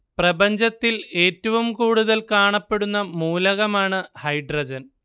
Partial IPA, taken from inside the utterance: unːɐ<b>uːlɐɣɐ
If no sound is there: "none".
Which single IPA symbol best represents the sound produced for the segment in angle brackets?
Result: m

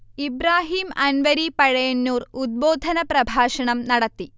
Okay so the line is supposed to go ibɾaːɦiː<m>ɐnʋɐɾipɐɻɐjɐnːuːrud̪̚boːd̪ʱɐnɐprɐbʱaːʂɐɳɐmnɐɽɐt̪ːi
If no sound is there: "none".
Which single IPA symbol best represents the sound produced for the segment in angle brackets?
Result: m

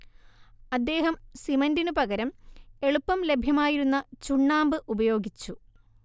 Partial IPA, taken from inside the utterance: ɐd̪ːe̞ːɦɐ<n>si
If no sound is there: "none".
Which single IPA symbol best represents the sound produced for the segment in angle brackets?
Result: m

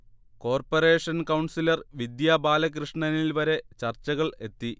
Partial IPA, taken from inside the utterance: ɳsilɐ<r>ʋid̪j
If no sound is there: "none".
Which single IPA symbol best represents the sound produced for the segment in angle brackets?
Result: r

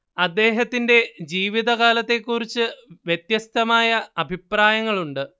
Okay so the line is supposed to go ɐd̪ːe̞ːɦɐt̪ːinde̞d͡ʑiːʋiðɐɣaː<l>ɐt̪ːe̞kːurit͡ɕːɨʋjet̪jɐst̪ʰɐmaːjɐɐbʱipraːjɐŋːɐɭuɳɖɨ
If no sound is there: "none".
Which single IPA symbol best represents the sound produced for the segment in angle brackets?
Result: l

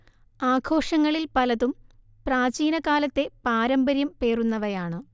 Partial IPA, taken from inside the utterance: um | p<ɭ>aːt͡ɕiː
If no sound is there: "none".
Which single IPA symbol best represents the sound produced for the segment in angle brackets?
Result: r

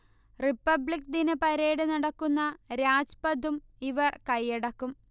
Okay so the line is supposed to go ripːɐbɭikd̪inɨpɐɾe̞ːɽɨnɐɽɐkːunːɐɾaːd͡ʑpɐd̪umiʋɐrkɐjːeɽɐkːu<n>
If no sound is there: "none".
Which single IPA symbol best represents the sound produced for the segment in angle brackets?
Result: m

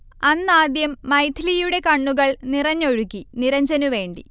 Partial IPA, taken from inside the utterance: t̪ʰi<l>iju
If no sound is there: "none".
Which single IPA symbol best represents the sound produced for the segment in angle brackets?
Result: l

